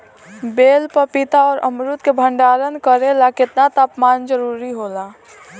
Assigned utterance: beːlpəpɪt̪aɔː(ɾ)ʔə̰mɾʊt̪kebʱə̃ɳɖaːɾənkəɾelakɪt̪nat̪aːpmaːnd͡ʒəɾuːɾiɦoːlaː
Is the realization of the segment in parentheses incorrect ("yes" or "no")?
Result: no